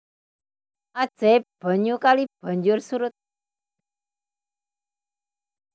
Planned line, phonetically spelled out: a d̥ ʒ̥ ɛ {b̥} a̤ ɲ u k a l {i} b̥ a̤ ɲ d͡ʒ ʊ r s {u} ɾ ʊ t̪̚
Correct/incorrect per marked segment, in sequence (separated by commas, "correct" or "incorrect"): correct, correct, correct